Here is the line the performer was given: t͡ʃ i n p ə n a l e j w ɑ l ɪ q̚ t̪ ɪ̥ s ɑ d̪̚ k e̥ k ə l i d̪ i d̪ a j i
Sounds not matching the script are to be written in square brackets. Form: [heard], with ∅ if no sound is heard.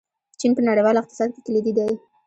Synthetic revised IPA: t͡ʃ i n p ə n a [ɽ] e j w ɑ l ɪ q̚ t̪ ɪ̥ s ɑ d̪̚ k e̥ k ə l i d̪ i d̪ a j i